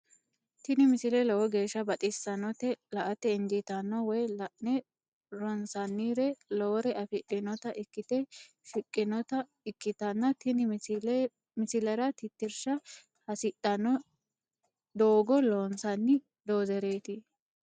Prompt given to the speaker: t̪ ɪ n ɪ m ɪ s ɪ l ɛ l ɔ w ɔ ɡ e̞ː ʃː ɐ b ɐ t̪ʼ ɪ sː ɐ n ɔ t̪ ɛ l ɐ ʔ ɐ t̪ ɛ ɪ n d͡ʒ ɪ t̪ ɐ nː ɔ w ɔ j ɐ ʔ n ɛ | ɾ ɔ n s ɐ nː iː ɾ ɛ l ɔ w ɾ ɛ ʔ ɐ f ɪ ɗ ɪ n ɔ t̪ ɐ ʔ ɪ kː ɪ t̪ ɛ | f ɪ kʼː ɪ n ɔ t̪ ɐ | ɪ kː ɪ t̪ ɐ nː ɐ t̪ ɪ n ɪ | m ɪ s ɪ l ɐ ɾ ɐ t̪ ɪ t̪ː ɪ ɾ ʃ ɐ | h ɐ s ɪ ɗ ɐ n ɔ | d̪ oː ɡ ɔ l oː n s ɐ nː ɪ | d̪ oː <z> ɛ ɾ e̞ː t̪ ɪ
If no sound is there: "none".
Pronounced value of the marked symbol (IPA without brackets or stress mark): z